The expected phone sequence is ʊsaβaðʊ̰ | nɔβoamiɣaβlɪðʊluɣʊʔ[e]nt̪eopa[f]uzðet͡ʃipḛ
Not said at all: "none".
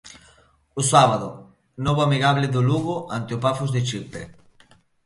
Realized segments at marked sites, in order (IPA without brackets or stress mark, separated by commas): a, f